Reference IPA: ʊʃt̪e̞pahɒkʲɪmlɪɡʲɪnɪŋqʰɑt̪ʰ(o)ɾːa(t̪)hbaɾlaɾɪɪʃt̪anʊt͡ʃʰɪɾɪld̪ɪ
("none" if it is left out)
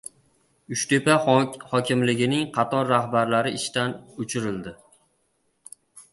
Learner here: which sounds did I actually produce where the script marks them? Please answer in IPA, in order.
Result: ɒ, none

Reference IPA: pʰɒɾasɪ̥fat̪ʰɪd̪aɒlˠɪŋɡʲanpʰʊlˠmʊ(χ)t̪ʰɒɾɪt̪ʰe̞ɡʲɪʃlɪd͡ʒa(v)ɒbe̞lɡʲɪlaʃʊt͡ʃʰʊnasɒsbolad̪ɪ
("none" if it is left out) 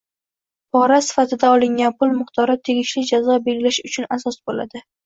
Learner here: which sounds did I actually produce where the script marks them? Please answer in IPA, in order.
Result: χ, z

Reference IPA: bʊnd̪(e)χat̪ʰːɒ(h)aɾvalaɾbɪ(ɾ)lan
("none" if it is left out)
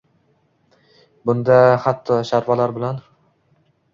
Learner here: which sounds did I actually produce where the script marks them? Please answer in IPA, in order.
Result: a, ʃ, none

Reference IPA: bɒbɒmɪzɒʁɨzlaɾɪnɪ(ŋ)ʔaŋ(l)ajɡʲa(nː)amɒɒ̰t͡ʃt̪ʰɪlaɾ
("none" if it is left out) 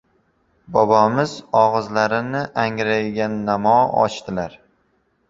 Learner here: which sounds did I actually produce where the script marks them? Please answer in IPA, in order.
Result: none, ɾ, nː

